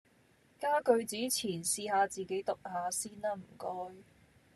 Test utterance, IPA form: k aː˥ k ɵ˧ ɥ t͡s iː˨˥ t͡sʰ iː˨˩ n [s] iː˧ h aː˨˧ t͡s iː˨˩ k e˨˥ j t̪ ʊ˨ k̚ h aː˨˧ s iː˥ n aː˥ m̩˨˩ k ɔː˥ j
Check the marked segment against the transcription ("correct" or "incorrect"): correct